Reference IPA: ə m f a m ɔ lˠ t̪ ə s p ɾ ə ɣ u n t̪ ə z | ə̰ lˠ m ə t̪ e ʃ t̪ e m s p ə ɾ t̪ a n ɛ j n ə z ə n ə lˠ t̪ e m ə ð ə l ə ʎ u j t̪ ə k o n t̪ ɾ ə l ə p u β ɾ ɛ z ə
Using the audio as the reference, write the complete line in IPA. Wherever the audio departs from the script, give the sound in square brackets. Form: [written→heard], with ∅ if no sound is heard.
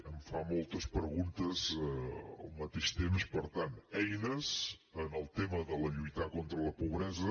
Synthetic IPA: ə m f a m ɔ lˠ t̪ ə s p ɾ ə ɣ u n t̪ ə z | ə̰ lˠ m ə t̪ e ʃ t̪ e m s p ə ɾ t̪ a n ɛ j n ə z ə n ə lˠ t̪ e m ə ð ə l ə ʎ u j t̪ [ə→a] k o n t̪ ɾ ə l ə p u β ɾ ɛ z ə